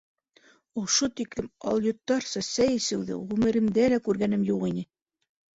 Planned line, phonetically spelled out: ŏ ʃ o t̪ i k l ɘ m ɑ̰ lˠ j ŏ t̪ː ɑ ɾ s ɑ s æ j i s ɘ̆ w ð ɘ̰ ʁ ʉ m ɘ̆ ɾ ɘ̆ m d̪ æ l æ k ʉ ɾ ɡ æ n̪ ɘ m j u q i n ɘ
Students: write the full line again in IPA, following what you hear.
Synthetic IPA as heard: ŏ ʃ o t̪ i k l ɘ m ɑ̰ lˠ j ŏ t̪ː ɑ ɾ s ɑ s æ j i s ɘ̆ w ð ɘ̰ ʁ ʉ m ɘ̆ ɾ ɘ̆ m d̪ æ l æ k ʉ ɾ ɡ æ n̪ ɘ m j u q i n ɘ

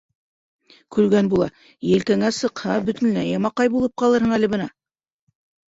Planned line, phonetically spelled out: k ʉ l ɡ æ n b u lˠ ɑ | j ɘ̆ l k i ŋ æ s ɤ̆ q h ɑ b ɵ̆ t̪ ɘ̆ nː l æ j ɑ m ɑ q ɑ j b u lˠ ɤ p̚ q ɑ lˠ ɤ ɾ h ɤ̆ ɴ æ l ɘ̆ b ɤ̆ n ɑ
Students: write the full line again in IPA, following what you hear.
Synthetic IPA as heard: k ʉ l ɡ æ n b u lˠ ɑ | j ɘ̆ l k æ ŋ æ s ɤ̆ q h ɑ b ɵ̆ t̪ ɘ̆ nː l æ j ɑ m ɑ q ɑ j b u lˠ ɤ p̚ q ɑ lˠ ɤ ɾ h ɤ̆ ɴ æ l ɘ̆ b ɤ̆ n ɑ

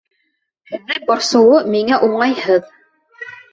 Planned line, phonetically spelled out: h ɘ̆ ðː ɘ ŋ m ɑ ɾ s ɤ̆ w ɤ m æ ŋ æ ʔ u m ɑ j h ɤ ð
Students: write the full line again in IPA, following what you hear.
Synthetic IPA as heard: h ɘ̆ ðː ɘ ŋ b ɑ ɾ s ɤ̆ w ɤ m i ŋ æ ʔ u ɴ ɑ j h ɤ ð

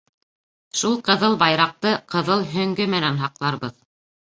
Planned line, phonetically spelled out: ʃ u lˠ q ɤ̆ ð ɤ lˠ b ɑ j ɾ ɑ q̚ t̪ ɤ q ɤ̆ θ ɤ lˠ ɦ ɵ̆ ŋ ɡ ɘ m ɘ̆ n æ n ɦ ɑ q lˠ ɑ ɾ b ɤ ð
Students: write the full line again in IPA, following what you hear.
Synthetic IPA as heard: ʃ u lˠ q ɤ̆ ð ɤ lˠ b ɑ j ɾ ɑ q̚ t̪ ɤ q ɤ̆ ð ɤ lˠ ɦ ɵ̆ ŋ ɡ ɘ m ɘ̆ n æ n ɦ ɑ q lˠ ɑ ɾ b ɤ ð

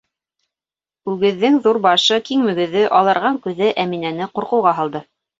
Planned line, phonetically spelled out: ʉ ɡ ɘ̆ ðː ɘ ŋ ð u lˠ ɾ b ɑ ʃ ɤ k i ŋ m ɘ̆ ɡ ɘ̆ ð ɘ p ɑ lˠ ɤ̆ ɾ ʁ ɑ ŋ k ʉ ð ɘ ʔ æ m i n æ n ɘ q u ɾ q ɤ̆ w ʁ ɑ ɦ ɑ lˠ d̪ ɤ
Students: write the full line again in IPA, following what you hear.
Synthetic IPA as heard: ʉ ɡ ɘ̆ ðː ɘ ŋ ð u ɾ b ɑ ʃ ɤ k i ŋ m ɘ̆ ɡ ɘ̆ ð ɘ ʔ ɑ lˠ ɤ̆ ɾ ʁ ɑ ŋ k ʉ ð ɘ ʔ æ m i n æ n ɘ q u ɾ q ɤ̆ w ʁ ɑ ɦ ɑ lˠ d̪ ɤ

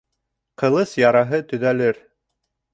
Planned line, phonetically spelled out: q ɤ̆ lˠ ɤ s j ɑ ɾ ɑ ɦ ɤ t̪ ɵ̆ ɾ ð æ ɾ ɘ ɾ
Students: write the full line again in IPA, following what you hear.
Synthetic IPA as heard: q ɤ̆ lˠ ɤ s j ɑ ɾ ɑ ɦ ɤ t̪ ɵ̆ ð æ l ɘ ɾ

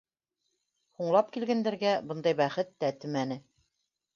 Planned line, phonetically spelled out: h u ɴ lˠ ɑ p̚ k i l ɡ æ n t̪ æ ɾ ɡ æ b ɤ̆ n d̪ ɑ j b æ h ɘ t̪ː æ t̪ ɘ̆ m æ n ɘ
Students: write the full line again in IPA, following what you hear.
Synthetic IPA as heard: h u ɴ lˠ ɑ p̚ k i l ɡ æ n d̪ æ ɾ ɡ æ b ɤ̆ n d̪ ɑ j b æ χ ɘ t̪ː æ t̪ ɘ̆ m æ n ɘ

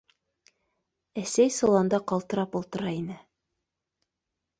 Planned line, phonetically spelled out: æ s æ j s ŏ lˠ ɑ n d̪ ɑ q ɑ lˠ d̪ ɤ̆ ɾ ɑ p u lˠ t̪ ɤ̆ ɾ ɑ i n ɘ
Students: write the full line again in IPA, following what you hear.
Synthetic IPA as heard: æ s æ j s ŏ lˠ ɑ n d̪ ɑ q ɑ lˠ t̪ ɤ̆ ɾ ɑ p u lˠ t̪ ɤ̆ ɾ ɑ i n ɘ

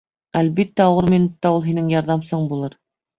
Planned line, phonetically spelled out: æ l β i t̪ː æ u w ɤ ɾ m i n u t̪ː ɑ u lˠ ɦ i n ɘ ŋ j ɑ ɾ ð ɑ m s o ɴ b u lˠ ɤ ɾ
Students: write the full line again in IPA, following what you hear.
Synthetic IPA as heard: æ l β i t̪ː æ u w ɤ ɾ m i n u t̪ː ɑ u lˠ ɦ i n ɘ ŋ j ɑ ɾ ð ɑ m s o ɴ b u lˠ ɤ ɾ

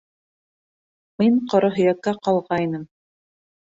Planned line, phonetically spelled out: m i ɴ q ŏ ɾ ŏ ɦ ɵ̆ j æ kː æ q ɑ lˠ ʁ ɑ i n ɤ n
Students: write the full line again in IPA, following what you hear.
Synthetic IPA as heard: m i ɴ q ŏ ɾ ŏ ɦ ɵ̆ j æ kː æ q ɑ lˠ ʁ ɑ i n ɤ m

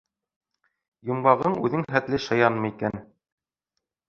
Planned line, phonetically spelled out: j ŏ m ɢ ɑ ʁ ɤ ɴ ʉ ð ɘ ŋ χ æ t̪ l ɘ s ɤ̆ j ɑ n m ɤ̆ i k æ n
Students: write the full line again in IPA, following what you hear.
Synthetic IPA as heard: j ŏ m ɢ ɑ ʁ ɤ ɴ ʉ ð ɘ ŋ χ æ t̪ l ɘ ʃ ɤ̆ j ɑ n m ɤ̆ i k æ n

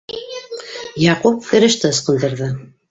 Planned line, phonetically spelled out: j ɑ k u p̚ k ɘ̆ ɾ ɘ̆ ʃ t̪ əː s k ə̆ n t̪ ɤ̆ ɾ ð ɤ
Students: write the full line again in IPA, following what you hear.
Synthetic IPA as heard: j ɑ q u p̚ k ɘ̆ ɾ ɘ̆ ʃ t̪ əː s q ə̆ n d̪ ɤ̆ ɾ ð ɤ

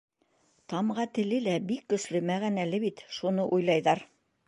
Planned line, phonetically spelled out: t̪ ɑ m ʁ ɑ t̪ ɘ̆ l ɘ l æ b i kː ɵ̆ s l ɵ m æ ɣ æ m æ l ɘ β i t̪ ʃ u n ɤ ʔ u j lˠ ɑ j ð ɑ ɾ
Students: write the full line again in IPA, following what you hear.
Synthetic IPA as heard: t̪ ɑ m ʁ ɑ t̪ ɘ̆ l ɘ l æ b i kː ɵ̆ s l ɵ m æ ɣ æ n æ l ɘ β i t̪ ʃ u n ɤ ʔ u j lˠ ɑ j ð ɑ ɾ

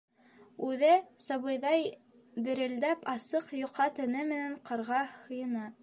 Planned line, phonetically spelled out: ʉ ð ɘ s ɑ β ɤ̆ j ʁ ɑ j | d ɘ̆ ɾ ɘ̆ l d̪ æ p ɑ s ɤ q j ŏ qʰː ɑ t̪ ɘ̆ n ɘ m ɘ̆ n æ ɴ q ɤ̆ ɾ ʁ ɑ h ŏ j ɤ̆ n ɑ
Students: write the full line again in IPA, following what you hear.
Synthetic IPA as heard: ʉ ð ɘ s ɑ β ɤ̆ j ð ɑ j | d ɘ̆ ɾ ɘ̆ l d̪ æ p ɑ s ɤ q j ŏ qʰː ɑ t̪ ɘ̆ n ɘ m ɘ̆ n æ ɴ q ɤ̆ ɾ ʁ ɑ h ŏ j ɤ̆ n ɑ

